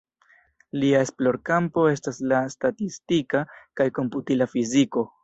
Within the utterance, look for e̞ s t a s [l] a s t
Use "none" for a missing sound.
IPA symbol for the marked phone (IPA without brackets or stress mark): l